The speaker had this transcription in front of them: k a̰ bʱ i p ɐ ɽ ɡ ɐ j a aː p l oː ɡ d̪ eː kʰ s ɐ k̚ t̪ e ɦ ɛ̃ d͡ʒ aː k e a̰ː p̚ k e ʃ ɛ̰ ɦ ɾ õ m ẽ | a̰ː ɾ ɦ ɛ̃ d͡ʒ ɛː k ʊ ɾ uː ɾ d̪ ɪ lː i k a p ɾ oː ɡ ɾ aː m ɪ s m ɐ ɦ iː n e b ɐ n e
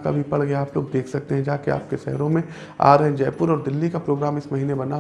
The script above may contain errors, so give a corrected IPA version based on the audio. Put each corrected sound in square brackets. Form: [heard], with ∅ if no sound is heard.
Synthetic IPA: k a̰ bʱ i p ɐ ɽ ɡ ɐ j a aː p l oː ɡ d̪ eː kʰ s ɐ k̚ t̪ e ɦ ɛ̃ d͡ʒ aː k e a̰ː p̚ k e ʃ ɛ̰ ɦ ɾ õ m ẽ | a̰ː ɾ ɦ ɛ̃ d͡ʒ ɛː [p] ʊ ɾ [ɔː] ɾ d̪ ɪ lː i k a p ɾ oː ɡ ɾ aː m ɪ s m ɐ ɦ iː n e b ɐ n [a]